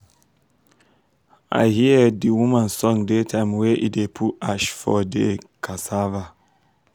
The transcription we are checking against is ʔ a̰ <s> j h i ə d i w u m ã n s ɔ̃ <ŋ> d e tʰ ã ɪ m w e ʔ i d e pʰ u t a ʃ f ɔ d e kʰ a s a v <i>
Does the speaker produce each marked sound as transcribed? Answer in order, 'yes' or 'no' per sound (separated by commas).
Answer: no, yes, no